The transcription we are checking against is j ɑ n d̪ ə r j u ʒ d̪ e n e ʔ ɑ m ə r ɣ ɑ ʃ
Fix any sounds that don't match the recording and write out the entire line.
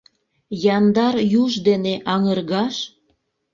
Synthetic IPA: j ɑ n d̪ ɑ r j u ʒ d̪ e n e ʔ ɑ ŋ ə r ɣ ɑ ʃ